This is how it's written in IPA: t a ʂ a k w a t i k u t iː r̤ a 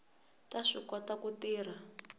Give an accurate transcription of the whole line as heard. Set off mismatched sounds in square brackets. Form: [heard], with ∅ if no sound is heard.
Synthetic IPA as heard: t a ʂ [i] k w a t [a] k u t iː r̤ a